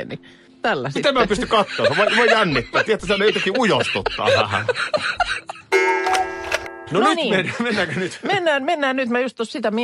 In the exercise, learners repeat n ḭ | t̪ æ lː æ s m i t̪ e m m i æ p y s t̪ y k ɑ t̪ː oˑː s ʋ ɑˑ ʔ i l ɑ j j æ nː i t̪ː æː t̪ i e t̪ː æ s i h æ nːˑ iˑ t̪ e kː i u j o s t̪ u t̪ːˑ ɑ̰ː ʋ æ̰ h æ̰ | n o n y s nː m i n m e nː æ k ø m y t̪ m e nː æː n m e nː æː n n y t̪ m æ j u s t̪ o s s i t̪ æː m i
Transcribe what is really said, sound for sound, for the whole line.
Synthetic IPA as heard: n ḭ | t̪ æ lː æ s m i t̪ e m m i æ p y s t̪ y k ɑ t̪ː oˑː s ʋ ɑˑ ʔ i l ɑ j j æ nː i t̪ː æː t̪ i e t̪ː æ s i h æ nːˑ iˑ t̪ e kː i u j o s t̪ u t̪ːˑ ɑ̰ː ʋ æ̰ h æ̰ | n o n y t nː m e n m e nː æ k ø n y t̪ m e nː æː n m e nː æː n n y t̪ m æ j u s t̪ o s s i t̪ æ m i